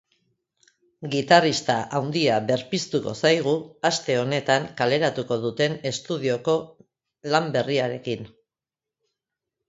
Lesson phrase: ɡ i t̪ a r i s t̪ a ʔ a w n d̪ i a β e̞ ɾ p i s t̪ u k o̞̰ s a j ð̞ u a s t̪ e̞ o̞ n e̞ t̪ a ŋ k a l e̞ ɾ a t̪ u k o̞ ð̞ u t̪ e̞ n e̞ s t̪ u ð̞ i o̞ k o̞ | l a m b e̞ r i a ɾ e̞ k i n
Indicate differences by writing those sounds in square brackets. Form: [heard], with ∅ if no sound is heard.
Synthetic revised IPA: ɡ i t̪ a r i s t̪ a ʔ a w n d̪ i a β e̞ ɾ p i s t̪ u k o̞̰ s a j [ɣ̞] u a s t̪ e̞ o̞ n e̞ t̪ a ŋ k a l e̞ ɾ a t̪ u k o̞ ð̞ u t̪ e̞ n e̞ s t̪ u ð̞ i o̞ k o̞ | l a m b e̞ r i a ɾ e̞ k i n